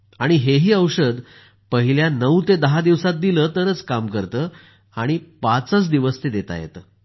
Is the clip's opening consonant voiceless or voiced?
voiced